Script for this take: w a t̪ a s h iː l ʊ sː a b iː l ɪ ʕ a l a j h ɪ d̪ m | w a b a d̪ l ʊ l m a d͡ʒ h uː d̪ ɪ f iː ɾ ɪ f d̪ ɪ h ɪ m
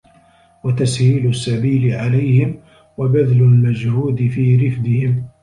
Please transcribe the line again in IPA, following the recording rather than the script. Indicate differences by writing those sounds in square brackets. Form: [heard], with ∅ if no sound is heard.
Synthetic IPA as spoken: w a t̪ a s h iː l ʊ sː a b iː l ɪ ʕ a l a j h ɪ [∅] m | w a b a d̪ l ʊ l m a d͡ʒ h uː d̪ ɪ f iː ɾ ɪ f d̪ ɪ h ɪ m